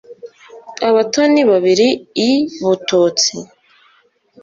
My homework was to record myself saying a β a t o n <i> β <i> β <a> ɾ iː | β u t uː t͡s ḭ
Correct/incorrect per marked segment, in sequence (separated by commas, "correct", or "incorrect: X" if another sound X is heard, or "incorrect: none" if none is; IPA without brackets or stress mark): correct, incorrect: a, incorrect: i